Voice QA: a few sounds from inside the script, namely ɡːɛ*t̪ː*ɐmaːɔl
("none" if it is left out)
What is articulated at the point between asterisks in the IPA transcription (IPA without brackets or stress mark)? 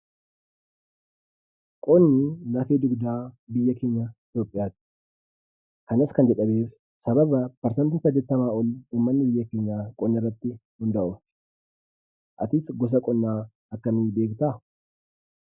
t̪ː